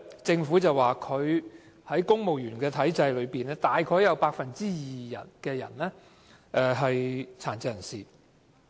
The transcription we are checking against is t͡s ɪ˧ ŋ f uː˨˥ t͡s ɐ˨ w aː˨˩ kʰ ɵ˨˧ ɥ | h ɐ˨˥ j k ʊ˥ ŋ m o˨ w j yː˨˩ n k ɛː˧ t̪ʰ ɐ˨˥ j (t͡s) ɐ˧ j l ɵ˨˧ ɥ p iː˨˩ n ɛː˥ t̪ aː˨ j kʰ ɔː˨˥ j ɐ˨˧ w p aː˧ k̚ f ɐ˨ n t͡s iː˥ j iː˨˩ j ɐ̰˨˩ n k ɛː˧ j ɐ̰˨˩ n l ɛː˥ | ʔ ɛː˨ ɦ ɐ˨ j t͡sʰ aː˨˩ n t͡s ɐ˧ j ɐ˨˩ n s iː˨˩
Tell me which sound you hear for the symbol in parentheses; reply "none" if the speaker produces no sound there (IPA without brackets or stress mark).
t͡s